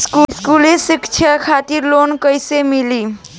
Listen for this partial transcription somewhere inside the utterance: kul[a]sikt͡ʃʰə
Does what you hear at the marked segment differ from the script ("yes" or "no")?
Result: yes